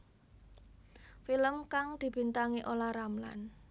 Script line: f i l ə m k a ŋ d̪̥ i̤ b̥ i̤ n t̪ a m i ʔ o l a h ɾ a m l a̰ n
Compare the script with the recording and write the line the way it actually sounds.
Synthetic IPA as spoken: f i l ə m k a ŋ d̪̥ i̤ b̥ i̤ n t̪ a ŋ i ʔ o l a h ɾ a m l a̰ n